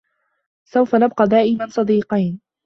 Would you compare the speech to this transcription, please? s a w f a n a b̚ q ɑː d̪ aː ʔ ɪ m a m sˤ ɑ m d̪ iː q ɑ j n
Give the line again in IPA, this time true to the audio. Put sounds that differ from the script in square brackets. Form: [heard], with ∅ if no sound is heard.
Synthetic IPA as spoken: s a w f a n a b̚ q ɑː d̪ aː ʔ ɪ m a [n] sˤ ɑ [∅] d̪ iː q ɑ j n